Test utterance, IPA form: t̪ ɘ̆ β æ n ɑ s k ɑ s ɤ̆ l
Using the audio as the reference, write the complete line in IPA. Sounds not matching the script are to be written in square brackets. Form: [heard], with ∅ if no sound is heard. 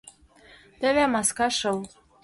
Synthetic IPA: t̪ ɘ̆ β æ [m] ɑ s k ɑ [ʃ] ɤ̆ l